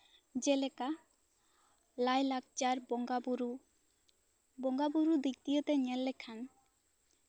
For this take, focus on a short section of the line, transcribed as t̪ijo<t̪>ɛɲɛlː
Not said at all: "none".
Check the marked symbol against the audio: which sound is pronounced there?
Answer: t̪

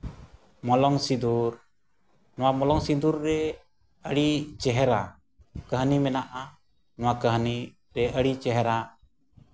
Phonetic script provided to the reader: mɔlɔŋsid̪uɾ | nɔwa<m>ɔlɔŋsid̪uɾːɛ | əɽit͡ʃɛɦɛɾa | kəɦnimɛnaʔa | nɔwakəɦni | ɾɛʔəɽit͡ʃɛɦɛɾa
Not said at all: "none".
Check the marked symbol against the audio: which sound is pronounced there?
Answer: m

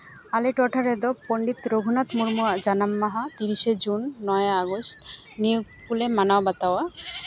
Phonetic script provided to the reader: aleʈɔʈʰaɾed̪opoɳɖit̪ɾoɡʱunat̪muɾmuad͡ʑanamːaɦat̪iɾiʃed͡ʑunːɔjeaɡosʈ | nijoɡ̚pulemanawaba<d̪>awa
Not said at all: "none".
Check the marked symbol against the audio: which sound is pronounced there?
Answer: t̪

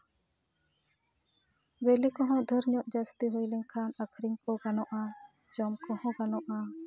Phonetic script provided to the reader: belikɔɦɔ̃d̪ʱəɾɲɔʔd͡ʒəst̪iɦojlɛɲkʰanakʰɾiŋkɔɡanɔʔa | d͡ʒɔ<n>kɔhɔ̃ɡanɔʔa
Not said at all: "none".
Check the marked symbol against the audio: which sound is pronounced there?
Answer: m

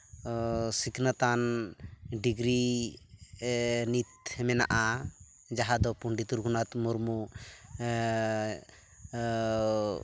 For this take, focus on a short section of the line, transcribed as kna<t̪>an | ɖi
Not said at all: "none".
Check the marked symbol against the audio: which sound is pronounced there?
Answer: t̪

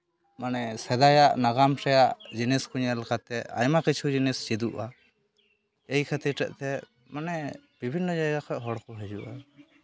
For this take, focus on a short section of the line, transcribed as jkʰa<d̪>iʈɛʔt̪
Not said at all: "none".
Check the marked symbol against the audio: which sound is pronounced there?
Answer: t̪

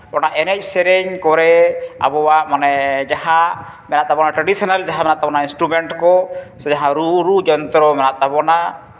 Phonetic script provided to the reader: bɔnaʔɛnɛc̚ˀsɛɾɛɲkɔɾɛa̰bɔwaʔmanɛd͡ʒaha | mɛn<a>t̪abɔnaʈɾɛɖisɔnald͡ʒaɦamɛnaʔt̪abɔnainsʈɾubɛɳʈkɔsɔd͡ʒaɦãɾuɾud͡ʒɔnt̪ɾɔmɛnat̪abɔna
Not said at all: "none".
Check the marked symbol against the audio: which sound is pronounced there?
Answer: a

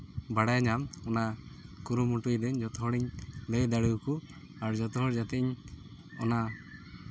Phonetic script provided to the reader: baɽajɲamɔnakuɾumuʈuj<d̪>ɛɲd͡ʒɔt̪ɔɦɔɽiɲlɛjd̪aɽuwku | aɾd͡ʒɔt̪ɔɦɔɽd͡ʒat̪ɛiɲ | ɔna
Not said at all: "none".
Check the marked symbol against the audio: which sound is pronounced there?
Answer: d̪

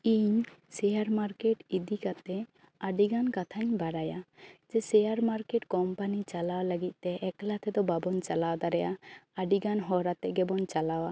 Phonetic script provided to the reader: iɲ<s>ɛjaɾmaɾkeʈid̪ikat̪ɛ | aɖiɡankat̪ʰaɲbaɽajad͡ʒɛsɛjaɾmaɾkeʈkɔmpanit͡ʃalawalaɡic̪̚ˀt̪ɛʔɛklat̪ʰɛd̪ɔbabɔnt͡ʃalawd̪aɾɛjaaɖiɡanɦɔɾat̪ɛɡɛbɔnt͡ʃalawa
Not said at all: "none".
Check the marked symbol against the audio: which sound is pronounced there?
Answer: s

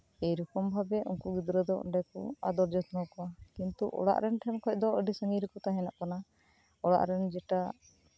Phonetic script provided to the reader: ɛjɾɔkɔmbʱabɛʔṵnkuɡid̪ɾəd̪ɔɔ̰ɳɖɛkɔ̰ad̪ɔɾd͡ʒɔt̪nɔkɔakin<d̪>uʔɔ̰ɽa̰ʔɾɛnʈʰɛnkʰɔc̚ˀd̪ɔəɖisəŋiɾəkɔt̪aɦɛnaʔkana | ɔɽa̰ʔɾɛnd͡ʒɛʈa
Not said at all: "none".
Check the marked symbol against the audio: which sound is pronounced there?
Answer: t̪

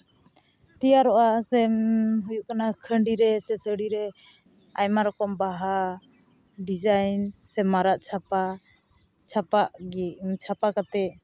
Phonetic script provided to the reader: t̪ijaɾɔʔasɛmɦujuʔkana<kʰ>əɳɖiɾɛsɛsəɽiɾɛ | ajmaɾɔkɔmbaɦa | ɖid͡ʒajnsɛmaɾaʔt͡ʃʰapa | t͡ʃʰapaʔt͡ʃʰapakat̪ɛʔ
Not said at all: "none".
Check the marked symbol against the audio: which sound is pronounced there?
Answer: kʰ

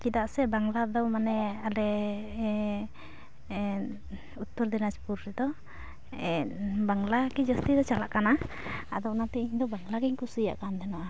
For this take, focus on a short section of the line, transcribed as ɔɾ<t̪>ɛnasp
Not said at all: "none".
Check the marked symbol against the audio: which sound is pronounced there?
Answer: d̪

